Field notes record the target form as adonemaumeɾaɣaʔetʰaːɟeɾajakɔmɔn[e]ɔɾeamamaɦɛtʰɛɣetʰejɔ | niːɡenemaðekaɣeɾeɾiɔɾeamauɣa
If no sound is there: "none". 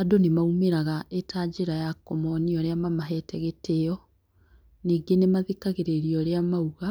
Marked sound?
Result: i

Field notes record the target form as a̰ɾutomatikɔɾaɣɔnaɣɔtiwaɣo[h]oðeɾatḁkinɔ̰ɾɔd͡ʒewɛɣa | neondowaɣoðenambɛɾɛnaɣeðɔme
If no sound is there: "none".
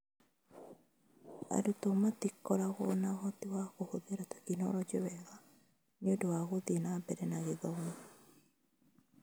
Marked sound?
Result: h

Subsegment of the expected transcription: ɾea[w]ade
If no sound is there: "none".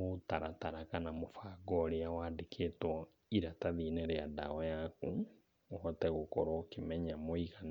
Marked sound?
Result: w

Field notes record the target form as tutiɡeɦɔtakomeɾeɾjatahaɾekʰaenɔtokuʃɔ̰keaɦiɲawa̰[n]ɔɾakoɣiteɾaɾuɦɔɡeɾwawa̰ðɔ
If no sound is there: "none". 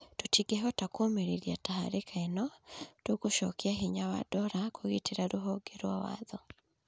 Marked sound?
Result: d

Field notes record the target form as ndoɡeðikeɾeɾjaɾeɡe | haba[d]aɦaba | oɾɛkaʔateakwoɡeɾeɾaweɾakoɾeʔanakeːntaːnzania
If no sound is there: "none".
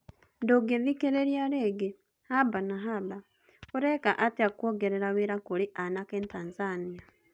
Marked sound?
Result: n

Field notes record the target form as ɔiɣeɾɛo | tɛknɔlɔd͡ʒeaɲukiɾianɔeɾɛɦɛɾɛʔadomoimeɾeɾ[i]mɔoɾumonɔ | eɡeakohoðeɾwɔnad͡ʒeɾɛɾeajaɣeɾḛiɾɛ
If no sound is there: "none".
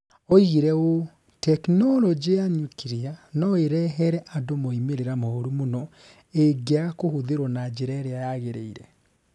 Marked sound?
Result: a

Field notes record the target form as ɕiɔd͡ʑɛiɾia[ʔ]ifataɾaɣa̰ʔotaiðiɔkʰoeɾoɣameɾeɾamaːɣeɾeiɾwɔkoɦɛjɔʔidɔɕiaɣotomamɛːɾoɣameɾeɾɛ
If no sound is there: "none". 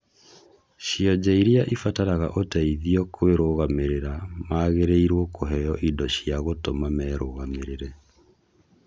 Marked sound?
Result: ʔ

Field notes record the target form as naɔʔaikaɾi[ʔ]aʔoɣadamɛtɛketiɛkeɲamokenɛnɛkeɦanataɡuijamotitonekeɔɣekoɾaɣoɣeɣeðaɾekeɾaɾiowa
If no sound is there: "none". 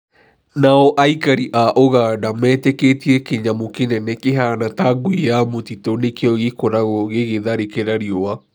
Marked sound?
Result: ʔ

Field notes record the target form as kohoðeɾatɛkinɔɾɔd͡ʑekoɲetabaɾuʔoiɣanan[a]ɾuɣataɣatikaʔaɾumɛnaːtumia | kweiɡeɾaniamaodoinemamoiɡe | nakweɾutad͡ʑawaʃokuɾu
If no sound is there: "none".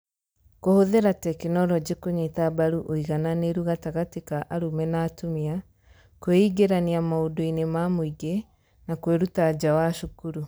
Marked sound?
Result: e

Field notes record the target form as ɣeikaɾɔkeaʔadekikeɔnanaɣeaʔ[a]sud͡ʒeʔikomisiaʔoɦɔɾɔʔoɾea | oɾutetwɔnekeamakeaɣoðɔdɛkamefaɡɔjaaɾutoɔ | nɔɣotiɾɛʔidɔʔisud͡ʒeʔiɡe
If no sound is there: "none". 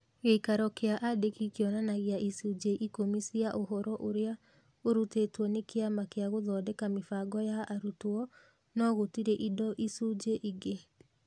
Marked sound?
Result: i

